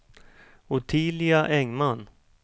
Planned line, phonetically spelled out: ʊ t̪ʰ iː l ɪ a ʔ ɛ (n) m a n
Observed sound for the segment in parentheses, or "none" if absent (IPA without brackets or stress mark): ŋ